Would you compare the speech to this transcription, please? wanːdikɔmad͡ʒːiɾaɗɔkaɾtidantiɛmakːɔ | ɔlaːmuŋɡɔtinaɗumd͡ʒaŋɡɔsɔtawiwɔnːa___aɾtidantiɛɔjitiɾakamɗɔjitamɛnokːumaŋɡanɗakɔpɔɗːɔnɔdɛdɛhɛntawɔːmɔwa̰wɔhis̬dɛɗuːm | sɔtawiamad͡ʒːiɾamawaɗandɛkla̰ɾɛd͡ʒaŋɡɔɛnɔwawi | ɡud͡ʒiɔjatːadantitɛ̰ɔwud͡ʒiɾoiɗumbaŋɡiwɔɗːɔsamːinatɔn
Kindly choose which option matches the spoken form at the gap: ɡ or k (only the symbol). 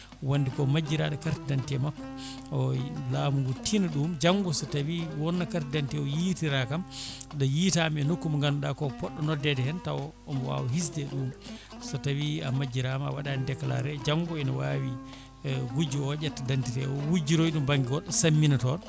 k